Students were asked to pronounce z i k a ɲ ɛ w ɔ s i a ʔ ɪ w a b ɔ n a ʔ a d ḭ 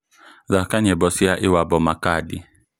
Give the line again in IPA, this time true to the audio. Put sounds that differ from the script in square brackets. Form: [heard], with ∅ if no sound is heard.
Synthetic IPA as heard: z [a] k a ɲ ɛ [b] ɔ s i a ʔ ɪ w a b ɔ [m] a [k] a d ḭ